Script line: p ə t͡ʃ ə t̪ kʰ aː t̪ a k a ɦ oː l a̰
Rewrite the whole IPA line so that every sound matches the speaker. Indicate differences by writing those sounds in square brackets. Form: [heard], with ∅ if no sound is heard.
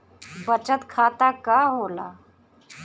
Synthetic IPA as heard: [b] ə t͡ʃ ə t̪ kʰ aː t̪ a k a ɦ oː l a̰